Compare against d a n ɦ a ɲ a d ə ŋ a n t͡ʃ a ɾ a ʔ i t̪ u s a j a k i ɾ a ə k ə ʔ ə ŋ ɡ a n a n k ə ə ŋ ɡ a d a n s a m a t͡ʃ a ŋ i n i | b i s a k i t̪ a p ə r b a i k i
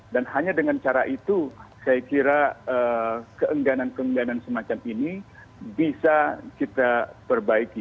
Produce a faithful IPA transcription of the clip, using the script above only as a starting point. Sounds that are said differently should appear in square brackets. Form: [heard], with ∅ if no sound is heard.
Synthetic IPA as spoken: d a n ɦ a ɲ a d ə ŋ a n t͡ʃ a ɾ a ʔ i t̪ u s a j a k i ɾ a ə k ə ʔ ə ŋ ɡ a n a n k ə ə ŋ ɡ a [n] a n s [ə] m a t͡ʃ a [m] i n i | b i s a k i t̪ a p ə r b a i k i

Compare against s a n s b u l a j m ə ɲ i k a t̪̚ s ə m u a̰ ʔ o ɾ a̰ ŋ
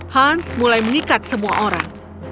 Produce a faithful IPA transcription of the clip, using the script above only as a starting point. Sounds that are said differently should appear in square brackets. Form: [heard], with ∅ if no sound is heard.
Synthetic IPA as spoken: [h] a n s [m] u l a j m ə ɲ i k a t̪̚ s ə m u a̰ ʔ o ɾ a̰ ŋ

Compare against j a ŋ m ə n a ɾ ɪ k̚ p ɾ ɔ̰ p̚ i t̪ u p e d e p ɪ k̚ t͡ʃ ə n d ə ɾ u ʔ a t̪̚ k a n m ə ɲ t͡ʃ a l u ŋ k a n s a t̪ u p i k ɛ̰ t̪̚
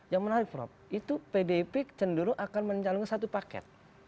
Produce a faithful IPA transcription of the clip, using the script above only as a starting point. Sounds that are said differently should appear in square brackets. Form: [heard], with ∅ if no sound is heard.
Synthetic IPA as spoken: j a ŋ m ə n a ɾ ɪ k̚ p ɾ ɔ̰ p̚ i t̪ u p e d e p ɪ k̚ t͡ʃ ə n d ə ɾ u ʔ a [∅] k a n m ə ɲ t͡ʃ a l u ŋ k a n s a t̪ u p [a] k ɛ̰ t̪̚

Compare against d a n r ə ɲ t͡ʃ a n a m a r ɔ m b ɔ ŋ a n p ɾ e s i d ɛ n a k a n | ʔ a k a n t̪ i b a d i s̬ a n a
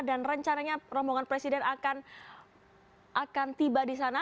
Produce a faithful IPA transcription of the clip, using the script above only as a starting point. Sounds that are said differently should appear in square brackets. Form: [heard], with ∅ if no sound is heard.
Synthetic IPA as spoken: d a n r ə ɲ t͡ʃ a n a [ɲ] a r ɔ m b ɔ ŋ a n p ɾ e s i d ɛ n a k a n | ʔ a k a n t̪ i b a d i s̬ a n a

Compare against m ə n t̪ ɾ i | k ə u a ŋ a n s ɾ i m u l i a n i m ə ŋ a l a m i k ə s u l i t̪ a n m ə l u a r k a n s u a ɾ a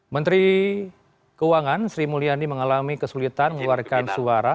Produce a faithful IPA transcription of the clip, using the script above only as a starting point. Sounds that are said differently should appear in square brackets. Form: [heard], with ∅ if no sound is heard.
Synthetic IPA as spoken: m ə n t̪ ɾ i | k ə u a ŋ a n s ɾ i m u l i a n i m ə ŋ a l a m i k ə s u l i t̪ a n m ə l u a r k a n s u a ɾ a

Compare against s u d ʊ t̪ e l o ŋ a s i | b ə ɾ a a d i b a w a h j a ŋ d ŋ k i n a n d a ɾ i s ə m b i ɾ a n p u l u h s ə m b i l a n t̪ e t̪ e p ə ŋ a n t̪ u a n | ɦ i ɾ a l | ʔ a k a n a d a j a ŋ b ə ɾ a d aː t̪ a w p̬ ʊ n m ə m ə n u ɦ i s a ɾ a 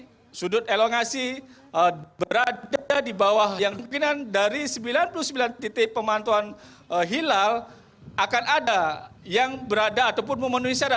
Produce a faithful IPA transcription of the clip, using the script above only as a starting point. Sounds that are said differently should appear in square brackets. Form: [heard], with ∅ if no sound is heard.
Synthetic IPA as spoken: s u d ʊ t̪ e l o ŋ a s i | b ə ɾ a a d i b a w a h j a ŋ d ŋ k i n a n d a ɾ i s ə m b i [l] a n p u l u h s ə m b i l a n t̪ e t̪ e p ə [m] a n t̪ u a n | ɦ i [l] a l | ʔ a k a n a d a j a ŋ b ə ɾ a d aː t̪ a w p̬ ʊ n m ə m ə n u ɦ i s a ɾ a

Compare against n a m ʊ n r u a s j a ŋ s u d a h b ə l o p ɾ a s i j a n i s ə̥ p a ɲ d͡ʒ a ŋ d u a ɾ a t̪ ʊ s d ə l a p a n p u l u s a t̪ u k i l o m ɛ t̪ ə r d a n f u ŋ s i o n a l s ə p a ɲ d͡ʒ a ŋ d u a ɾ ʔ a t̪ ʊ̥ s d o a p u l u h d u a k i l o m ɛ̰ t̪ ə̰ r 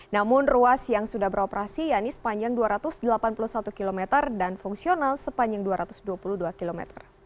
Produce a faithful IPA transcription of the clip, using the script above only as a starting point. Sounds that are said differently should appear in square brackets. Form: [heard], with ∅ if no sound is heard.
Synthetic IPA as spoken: n a m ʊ n r u a s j a ŋ s u d a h b ə [ɾ] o p ɾ a s i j a n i s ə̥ p a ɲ d͡ʒ a ŋ d u a ɾ a t̪ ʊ s d ə l a p a n p u l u s a t̪ u k i l o m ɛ t̪ ə r d a n f u ŋ s i o n a l s ə p a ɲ d͡ʒ a ŋ d u a ɾ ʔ a t̪ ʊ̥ s d [u] a p u l u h d u a k i l o m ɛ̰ t̪ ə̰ r

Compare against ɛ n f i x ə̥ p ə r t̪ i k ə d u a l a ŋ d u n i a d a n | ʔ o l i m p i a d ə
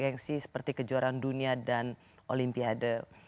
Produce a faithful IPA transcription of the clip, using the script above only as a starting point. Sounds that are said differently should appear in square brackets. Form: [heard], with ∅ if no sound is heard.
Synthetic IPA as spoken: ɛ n [s] i [s] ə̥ p ə r t̪ i k ə [d͡ʒ] u a [ɾ] a [n] d u n i a d a n | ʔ o l i m p i a d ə

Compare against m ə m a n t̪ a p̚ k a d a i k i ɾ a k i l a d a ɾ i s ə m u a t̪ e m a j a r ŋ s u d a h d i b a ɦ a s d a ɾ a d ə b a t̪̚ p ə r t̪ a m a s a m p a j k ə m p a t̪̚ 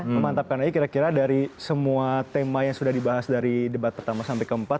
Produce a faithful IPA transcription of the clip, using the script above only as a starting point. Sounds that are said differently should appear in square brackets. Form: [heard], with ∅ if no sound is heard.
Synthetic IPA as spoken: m ə m a n t̪ a p̚ k a [n] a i k i ɾ a k i [ɾ] a d a ɾ i s ə m u a t̪ e m a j a [∅] ŋ s u d a h d i b a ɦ a s d a ɾ [i] d ə b a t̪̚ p ə r t̪ a m a s a m p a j k ə m p a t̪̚

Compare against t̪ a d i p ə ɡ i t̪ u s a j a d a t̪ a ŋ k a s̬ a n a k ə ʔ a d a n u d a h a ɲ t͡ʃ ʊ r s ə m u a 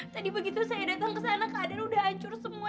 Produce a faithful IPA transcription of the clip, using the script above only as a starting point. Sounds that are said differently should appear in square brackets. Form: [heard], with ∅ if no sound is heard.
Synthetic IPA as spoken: t̪ a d i [b] ə ɡ i t̪ u s a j a d a t̪ a ŋ k [ə] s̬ a n a k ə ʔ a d a n u d a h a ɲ t͡ʃ ʊ r s ə m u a

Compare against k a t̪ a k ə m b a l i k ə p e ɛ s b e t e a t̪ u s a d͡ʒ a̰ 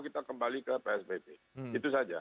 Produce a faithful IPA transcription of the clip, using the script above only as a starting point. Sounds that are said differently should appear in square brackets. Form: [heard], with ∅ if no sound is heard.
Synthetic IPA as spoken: k [i] t̪ a k ə m b a l i k ə p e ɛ s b e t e [i] t̪ u s a d͡ʒ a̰

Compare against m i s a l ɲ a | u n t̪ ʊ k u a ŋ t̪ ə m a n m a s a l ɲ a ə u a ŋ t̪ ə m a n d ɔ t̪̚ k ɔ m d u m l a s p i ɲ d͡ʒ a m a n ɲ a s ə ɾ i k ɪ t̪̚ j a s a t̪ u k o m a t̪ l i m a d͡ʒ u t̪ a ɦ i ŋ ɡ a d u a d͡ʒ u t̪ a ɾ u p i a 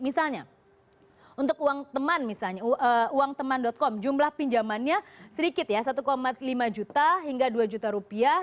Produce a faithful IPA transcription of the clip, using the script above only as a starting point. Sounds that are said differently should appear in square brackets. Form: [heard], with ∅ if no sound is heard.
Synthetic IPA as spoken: m i s a l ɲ a | u n t̪ ʊ k u a ŋ t̪ ə m a n m [i] s a l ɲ a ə u a ŋ t̪ ə m a n d ɔ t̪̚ k ɔ m [d͡ʒ] u m l a [h] p i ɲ d͡ʒ a m a n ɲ a s ə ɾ i k ɪ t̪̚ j a s a t̪ u k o m a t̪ l i m a d͡ʒ u t̪ a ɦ i ŋ ɡ a d u a d͡ʒ u t̪ a ɾ u p i a

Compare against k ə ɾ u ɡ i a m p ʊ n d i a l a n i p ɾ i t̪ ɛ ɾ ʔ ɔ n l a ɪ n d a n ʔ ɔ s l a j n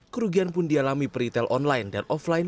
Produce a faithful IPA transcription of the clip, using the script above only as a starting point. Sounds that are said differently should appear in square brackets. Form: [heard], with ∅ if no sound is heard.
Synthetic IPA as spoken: k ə ɾ u ɡ i a [n] p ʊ n d i a l a [m] i p ɾ i t̪ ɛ [l] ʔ ɔ n l a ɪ n d a n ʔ ɔ [f] l a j n

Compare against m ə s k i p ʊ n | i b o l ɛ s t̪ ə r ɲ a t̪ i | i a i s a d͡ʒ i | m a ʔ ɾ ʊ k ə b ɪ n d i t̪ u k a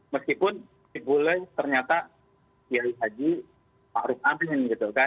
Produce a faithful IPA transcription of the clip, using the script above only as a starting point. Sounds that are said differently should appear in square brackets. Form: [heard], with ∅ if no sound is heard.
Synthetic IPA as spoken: m ə s k i p ʊ n | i b o l ɛ [h] t̪ ə r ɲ a t̪ [a] | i a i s a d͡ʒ i | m a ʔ ɾ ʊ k [a] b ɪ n [ɡ] i t̪ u k a

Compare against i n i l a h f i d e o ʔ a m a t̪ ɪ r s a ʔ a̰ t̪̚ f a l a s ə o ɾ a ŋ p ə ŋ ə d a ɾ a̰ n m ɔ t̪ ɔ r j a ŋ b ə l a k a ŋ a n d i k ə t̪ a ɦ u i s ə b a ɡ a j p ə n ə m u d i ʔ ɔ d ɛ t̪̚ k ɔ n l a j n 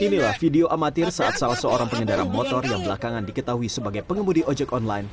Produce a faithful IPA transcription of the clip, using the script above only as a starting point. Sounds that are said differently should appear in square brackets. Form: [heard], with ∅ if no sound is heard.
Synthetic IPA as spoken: i n i l a h f i d e o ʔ a m a t̪ ɪ r s a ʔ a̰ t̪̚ [s] a l a s ə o ɾ a ŋ p ə ŋ ə d a ɾ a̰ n m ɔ t̪ ɔ r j a ŋ b ə l a k a ŋ a n d i k ə t̪ a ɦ u i s ə b a ɡ a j p ə [ŋ] ə m u d i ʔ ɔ [d͡ʒ] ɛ [∅] k ɔ n l a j n

